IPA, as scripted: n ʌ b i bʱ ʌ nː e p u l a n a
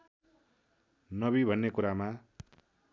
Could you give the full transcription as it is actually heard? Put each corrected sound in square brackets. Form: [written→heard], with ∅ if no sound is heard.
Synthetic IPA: n ʌ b i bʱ ʌ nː e [p→k] u [l→ɾ] a [n→m] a

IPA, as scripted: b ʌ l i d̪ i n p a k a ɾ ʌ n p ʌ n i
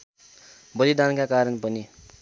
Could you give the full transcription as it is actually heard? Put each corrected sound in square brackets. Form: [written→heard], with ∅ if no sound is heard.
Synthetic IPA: b ʌ l i d̪ [i→a] n [p→k] a k a ɾ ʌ n p ʌ n i

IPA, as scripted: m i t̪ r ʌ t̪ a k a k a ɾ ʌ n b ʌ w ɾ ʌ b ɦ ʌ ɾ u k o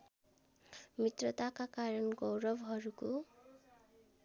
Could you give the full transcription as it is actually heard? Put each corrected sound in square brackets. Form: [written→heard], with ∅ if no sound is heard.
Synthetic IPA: m i t̪ r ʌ t̪ a k a k a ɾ ʌ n [b→ɡ] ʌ w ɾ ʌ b ɦ ʌ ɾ u k o

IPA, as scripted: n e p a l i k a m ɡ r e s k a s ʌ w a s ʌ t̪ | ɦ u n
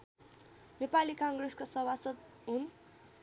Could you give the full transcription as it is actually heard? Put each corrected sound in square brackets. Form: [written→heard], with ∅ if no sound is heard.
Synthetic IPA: n e p a l i k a [m→ŋ] ɡ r e s k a s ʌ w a s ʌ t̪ | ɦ u n

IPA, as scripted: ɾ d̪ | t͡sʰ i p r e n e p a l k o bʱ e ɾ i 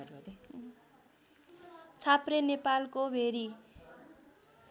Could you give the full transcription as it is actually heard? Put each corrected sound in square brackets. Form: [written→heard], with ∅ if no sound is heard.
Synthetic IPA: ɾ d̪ | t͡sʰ [i→a] p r e n e p a l k o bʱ e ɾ i

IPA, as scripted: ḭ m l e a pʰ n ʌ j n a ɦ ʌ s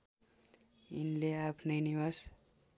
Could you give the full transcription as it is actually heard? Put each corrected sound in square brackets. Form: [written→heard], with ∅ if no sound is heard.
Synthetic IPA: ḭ [m→n] l e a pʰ n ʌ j n [a→i] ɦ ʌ s

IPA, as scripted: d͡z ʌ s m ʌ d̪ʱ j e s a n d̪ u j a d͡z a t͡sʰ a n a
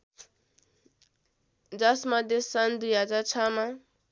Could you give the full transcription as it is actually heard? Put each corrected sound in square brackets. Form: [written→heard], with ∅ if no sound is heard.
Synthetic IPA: d͡z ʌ s m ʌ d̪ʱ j e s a n d̪ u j a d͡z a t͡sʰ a [n→m] a

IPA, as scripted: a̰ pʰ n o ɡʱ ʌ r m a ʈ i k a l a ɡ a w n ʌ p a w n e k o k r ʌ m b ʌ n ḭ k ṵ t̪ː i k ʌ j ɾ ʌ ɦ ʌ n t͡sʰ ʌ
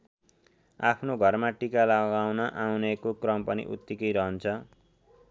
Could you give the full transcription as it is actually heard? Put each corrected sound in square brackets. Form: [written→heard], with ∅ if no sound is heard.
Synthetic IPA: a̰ pʰ n o ɡʱ ʌ r m a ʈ i k a l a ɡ a w n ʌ [p→ʔ] a w n e k o k r ʌ m [b→p] ʌ n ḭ [k→ʔ] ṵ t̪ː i k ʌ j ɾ ʌ ɦ ʌ n t͡sʰ ʌ

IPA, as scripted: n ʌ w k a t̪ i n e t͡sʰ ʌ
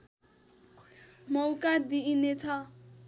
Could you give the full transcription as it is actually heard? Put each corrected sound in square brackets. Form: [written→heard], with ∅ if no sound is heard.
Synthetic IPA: [n→m] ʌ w k a [t̪→d̪] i n e t͡sʰ ʌ

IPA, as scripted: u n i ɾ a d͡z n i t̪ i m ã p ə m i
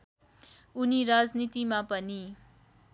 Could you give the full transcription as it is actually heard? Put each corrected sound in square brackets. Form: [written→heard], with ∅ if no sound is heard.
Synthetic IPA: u n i ɾ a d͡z n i t̪ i m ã p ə [m→n] i

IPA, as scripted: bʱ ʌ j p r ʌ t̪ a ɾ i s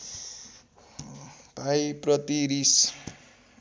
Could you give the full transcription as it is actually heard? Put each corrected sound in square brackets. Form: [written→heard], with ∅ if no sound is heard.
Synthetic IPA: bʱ [ʌ→a] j p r ʌ t̪ [a→i] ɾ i s

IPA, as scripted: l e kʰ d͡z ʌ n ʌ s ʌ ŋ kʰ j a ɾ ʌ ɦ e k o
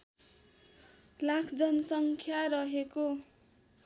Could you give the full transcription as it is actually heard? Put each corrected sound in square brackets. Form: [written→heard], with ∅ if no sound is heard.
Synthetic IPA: l [e→a] kʰ d͡z ʌ n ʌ s ʌ ŋ kʰ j a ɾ ʌ ɦ e k o

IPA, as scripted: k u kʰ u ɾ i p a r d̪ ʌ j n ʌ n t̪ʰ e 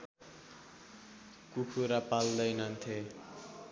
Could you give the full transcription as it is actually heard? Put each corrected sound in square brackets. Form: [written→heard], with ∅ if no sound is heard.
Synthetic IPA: k u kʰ u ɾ [i→a] p a [r→l] d̪ ʌ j n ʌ n t̪ʰ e

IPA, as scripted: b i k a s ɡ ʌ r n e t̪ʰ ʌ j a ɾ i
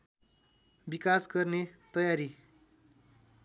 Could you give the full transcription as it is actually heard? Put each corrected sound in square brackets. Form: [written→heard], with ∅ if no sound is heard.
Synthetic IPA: b i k a s ɡ ʌ r n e [t̪ʰ→t̪] ʌ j a ɾ i

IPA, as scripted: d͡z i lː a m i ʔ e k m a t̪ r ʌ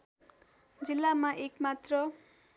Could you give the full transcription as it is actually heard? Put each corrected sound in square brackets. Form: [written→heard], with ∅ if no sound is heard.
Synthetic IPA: d͡z i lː a m [i→a] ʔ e k m a t̪ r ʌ

